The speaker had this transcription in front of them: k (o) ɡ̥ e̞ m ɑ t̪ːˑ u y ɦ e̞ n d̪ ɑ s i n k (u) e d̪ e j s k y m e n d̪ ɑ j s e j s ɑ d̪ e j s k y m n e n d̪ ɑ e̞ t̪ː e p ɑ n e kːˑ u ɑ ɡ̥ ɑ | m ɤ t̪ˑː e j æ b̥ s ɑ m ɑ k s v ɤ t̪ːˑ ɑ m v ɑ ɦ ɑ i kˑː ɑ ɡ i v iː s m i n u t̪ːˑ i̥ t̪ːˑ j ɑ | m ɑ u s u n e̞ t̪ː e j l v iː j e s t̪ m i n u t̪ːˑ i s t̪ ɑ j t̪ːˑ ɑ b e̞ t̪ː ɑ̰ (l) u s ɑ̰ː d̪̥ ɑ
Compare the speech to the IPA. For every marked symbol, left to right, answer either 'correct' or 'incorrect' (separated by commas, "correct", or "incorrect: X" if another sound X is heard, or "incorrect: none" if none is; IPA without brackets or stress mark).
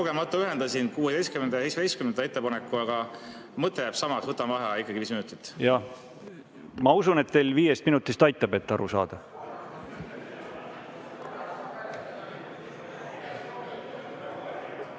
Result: correct, incorrect: uː, incorrect: ɾ